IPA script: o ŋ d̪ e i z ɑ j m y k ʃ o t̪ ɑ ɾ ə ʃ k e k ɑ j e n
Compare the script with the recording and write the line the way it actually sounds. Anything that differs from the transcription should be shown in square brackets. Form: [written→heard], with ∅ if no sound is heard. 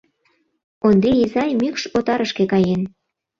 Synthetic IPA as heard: o [ŋ→n] d̪ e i z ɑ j m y k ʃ o t̪ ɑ ɾ ə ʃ k e k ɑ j e n